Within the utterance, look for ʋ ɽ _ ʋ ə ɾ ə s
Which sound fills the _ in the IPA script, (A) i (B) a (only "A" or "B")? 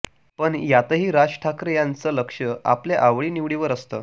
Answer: A